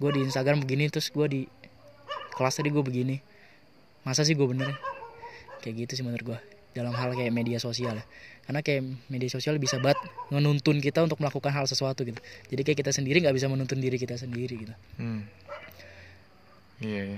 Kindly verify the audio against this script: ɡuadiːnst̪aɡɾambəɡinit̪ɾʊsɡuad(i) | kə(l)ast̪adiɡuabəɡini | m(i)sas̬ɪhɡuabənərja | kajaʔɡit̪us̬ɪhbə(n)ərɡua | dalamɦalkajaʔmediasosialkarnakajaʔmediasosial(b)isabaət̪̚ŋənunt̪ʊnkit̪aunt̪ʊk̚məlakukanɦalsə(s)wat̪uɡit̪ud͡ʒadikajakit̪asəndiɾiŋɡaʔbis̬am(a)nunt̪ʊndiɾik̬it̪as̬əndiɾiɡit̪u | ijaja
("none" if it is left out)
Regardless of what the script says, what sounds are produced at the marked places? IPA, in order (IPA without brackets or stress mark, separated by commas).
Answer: i, l, a, n, b, s, ə